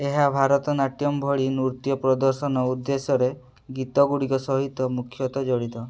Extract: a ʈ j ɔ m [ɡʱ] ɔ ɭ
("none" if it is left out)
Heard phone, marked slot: bʱ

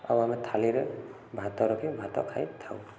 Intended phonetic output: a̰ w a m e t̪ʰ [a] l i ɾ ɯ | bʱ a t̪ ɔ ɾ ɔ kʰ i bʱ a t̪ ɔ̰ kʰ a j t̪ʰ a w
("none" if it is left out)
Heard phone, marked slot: a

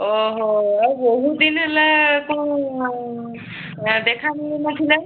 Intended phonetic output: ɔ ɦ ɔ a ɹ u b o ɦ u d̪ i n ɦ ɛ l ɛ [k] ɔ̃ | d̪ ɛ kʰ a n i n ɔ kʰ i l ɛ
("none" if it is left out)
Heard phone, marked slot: k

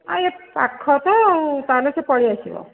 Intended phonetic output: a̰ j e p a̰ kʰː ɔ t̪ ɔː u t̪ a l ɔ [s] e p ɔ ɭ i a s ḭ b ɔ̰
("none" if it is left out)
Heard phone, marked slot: s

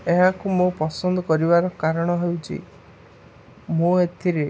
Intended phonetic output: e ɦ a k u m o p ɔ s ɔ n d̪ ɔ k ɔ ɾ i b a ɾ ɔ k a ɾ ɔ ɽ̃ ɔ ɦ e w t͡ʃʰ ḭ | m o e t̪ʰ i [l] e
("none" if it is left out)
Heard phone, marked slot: ɾ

